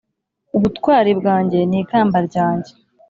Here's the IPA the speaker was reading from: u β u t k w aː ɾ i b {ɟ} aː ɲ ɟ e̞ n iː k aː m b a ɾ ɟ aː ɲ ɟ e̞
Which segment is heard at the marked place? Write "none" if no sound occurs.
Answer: ɡ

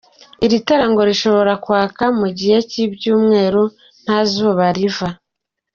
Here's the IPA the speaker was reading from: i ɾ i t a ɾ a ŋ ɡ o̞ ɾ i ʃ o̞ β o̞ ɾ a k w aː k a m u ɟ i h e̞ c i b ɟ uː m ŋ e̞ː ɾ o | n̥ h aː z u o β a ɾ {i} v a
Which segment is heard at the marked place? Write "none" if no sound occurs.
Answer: i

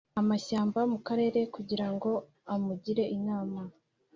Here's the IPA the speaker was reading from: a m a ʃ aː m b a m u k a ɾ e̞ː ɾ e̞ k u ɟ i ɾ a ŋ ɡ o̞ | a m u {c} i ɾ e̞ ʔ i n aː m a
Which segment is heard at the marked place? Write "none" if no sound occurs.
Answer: ɟ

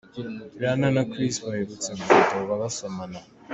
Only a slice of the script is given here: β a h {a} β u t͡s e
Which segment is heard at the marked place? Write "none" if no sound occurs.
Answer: e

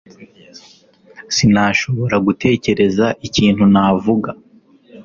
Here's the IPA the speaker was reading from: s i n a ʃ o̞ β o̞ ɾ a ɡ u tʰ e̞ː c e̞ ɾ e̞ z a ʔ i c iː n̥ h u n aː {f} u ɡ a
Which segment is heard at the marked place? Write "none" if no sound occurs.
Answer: v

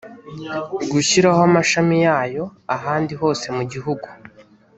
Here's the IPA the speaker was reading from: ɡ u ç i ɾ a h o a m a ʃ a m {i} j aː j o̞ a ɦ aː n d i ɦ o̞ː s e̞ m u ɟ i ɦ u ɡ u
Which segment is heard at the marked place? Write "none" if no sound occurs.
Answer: i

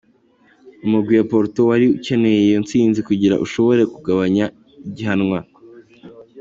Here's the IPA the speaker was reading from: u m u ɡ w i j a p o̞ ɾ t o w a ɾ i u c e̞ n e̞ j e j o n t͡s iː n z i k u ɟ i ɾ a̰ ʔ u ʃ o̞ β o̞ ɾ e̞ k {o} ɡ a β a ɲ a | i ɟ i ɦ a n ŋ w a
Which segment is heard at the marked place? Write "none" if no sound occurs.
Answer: u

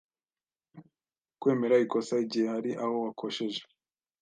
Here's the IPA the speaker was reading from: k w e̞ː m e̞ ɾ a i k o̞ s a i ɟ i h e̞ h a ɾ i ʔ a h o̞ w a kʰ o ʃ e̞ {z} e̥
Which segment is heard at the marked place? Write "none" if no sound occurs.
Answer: ʒ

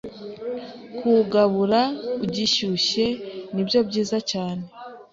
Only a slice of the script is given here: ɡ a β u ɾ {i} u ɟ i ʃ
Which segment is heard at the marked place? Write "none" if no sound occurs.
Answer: a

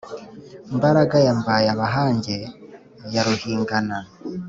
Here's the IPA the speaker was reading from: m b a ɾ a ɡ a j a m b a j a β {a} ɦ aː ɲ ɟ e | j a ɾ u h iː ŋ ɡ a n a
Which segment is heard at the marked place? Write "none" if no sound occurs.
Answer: a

